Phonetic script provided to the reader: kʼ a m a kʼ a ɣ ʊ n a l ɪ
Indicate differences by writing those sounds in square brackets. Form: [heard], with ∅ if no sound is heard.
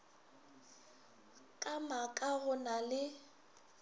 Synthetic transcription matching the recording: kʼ a m a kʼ a ɣ ʊ n a l ɪ

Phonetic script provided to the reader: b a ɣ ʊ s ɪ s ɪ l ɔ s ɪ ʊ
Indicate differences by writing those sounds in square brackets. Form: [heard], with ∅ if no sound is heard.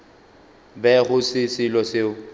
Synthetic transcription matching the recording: b [ɛ] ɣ ʊ s ɪ s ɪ l ɔ s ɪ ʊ

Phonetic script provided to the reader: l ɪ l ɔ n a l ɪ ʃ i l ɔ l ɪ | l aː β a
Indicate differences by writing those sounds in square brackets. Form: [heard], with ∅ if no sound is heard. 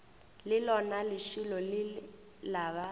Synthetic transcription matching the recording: l ɪ l ɔ n a l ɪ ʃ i l ɔ l ɪ | l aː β a

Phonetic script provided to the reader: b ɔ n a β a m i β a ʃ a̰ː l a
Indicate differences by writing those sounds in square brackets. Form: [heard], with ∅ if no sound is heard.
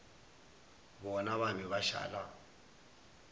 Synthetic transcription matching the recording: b ɔ n a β a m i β a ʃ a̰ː l a

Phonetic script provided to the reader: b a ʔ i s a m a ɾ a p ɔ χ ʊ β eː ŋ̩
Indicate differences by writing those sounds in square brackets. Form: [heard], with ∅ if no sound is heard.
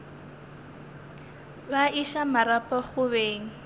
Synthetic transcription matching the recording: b a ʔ i [ʃ] a m a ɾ a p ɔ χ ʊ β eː ŋ̩

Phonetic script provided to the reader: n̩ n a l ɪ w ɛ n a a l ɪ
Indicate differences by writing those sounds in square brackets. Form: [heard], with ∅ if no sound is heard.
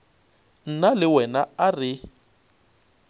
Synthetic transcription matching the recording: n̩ n a l ɪ w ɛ n a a [r] ɪ

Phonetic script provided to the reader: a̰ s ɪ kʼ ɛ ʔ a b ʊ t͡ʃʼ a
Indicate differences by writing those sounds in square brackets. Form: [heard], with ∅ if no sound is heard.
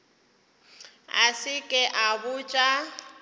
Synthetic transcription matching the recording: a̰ s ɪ kʼ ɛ ʔ a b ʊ t͡ʃʼ a

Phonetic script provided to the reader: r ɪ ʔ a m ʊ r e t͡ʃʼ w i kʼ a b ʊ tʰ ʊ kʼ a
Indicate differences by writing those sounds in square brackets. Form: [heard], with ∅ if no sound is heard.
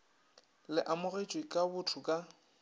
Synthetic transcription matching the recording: [l] ɪ ʔ a m ʊ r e t͡ʃʼ w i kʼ a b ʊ tʰ ʊ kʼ a

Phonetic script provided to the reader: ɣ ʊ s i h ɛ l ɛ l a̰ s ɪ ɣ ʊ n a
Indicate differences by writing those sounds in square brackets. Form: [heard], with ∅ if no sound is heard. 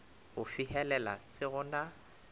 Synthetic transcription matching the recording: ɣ ʊ [f] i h ɛ l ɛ l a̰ s ɪ ɣ ʊ n a

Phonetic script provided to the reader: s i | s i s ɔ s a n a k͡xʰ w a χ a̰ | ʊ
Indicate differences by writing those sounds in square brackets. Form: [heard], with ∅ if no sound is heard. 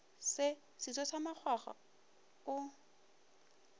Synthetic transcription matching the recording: s [ɪ] | s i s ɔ s a [m] a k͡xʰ w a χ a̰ | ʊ

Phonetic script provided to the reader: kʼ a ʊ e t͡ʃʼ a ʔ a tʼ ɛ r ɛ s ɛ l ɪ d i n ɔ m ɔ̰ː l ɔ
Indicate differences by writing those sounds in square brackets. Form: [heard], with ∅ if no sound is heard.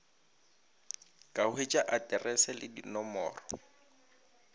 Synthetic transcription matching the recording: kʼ a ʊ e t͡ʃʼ a ʔ a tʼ ɛ r ɛ s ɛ l ɪ d i n ɔ m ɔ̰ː [r] ɔ

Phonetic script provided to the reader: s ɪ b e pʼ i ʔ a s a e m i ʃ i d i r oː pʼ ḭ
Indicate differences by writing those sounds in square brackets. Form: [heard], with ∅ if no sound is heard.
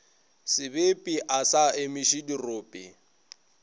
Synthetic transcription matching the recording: s ɪ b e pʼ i ʔ a s a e m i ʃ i d i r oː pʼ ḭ

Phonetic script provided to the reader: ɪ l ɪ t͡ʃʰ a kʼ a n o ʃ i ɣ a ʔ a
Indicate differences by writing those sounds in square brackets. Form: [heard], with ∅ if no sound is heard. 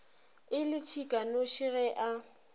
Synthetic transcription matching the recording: ɪ l ɪ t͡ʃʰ [i] kʼ a n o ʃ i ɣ [ɛ] ʔ a

